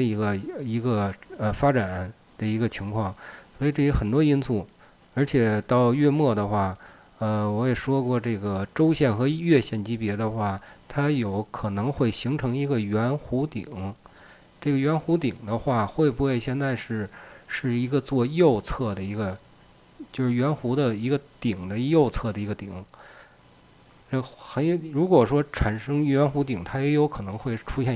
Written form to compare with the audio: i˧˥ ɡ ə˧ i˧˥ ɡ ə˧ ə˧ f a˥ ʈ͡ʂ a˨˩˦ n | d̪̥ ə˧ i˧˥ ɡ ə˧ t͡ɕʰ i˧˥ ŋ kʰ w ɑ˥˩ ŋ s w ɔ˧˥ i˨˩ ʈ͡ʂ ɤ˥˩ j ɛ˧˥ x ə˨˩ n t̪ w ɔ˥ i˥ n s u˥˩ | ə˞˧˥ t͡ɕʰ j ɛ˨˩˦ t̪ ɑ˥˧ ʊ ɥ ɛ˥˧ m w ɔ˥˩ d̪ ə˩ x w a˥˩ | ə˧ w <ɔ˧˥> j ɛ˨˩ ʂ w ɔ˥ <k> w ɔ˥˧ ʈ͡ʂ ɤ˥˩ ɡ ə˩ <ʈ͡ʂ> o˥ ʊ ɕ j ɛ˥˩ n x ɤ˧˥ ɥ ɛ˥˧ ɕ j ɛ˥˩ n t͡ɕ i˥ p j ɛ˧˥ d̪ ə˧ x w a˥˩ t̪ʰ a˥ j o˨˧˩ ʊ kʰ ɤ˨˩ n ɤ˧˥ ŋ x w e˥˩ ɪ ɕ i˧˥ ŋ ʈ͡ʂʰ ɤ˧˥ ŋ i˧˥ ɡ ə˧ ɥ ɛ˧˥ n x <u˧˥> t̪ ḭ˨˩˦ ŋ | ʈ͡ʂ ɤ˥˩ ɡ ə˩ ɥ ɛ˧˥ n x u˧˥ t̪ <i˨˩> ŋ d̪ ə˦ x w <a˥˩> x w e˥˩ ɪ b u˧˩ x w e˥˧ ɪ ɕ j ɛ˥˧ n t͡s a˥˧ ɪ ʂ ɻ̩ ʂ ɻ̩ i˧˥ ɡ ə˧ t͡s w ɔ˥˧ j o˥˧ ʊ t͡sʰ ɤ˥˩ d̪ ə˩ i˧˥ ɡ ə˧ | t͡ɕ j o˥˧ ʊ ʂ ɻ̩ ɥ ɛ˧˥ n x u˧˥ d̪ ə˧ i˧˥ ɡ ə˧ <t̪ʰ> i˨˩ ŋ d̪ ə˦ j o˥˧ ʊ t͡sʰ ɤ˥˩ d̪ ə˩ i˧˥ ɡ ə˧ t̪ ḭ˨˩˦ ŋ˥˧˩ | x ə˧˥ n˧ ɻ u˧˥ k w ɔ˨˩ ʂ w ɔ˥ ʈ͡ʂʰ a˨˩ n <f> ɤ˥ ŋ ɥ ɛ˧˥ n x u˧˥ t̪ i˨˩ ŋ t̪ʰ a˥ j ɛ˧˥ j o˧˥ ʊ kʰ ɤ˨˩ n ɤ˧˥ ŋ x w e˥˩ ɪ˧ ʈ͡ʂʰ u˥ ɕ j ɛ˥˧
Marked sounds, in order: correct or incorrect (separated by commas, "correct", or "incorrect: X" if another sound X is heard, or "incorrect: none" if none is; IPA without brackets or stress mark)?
correct, correct, correct, correct, correct, correct, incorrect: t̪, incorrect: ʂ